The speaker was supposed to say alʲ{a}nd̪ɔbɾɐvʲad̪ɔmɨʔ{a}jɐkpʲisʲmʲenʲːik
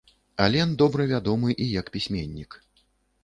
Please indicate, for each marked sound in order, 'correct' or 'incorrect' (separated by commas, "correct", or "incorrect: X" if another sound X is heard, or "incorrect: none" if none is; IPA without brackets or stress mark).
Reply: incorrect: ɛ, incorrect: i